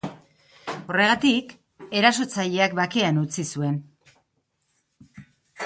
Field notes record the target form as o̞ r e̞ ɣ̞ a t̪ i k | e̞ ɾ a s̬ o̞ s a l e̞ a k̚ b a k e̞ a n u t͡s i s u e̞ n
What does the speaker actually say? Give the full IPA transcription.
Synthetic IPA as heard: o̞ r e̞ ɣ̞ a t̪ i k | e̞ ɾ a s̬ o̞ t͡s a ʎ e̞ a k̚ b a k e̞ a n u t͡s i s u e̞ n